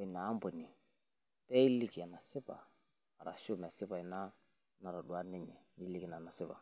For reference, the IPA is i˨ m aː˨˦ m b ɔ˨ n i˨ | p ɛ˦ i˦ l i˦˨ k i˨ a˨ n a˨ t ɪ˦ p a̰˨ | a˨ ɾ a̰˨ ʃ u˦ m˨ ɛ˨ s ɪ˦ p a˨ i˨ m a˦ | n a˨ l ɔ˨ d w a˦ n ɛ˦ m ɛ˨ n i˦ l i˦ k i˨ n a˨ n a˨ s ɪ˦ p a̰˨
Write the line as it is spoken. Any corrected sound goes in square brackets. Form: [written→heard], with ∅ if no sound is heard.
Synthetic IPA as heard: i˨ [m→n] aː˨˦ m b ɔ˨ n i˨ | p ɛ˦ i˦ l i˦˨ k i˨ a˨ n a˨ [t→s] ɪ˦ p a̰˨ | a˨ ɾ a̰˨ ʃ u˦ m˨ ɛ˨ s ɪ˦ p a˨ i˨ [m→n] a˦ | n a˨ [l→ɾ] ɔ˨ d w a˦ n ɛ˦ [m→ɲ] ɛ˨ n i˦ l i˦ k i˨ n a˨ n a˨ s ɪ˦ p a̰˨